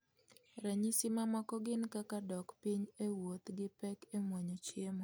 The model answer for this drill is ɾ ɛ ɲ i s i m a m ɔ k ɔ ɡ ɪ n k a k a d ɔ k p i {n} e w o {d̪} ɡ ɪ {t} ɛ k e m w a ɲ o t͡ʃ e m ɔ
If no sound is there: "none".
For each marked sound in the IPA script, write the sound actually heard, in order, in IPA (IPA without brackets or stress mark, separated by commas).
ɲ, t̪, p